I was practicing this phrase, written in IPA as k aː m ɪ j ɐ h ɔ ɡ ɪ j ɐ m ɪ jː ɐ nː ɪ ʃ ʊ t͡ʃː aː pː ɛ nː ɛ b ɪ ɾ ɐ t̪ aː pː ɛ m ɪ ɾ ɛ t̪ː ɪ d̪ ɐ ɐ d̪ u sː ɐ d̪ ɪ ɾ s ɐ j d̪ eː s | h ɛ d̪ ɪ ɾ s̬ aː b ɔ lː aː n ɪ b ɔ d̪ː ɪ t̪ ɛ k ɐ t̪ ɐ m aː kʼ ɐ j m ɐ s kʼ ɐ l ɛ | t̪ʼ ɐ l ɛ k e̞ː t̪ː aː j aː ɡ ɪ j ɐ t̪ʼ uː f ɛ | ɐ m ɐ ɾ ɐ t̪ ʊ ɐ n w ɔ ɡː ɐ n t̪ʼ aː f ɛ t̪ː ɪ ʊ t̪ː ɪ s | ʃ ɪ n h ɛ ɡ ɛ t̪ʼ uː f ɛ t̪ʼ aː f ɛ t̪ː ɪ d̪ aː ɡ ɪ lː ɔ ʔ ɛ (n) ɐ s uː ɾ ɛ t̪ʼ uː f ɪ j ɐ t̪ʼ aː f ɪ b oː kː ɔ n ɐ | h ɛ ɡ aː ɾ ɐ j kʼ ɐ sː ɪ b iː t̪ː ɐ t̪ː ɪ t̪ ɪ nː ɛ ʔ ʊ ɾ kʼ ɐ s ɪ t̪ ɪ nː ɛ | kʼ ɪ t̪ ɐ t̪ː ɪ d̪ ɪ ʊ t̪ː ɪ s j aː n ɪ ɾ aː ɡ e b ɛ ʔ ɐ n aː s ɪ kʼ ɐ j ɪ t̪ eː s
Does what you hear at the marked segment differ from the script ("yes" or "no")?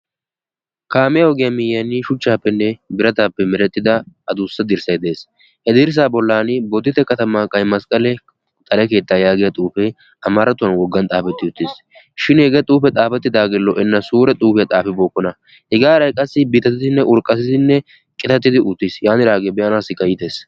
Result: yes